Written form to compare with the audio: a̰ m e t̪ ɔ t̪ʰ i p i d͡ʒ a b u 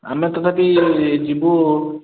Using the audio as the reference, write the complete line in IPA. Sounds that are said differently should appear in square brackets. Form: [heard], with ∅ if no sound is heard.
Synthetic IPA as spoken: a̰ m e t̪ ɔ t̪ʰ [a] p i d͡ʒ [i] b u